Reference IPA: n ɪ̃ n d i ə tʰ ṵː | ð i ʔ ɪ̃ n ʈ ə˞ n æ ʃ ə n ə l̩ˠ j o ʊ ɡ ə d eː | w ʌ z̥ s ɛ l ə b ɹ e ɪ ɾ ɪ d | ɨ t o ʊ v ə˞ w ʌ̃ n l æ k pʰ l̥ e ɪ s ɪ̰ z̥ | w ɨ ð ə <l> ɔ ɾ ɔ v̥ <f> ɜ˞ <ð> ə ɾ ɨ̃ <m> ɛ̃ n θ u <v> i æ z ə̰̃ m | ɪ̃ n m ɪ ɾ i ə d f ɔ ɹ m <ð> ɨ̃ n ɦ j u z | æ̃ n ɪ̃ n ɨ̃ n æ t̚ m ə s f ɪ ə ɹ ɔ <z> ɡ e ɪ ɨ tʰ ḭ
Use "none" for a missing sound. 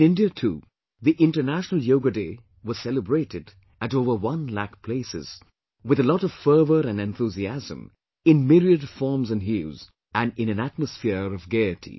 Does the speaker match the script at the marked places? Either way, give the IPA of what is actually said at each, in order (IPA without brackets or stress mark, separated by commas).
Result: l, f, v, n, z, z, v